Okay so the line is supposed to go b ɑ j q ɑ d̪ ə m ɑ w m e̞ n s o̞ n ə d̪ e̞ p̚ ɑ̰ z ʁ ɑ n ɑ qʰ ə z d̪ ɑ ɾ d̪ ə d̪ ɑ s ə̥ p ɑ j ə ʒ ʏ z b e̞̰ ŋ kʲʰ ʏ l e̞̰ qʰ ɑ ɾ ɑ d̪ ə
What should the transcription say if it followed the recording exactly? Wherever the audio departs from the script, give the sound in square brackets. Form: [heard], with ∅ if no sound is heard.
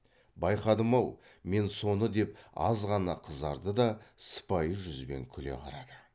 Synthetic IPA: b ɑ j q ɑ d̪ ə m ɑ w m e̞ n s o̞ n ə d̪ e̞ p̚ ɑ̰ z ʁ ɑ n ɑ qʰ ə z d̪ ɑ ɾ d̪ ə d̪ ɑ s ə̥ p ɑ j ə ʒ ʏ z b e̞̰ ŋ kʲʰ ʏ l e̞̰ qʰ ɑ ɾ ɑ d̪ ə